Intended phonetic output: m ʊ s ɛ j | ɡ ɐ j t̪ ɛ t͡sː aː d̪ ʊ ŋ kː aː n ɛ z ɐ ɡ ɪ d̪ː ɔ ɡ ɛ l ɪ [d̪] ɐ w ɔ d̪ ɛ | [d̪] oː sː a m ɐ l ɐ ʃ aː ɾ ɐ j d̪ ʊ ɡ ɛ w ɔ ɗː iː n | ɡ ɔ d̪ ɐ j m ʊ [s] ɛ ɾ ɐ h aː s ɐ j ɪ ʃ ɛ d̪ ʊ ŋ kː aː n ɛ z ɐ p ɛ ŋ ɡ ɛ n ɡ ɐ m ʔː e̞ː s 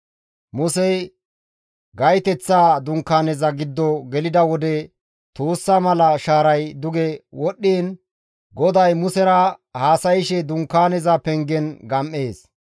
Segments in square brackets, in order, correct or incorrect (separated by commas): correct, incorrect, correct